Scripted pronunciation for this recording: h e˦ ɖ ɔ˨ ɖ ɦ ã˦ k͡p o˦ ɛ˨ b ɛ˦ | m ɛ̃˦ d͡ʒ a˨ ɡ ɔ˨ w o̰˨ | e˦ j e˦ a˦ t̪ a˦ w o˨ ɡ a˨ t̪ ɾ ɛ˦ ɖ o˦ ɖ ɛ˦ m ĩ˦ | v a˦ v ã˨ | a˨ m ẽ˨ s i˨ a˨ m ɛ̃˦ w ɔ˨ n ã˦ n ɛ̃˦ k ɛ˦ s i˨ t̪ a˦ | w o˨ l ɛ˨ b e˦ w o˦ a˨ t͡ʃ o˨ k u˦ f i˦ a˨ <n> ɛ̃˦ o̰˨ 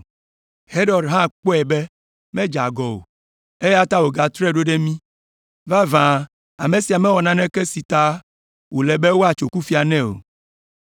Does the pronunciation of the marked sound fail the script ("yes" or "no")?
no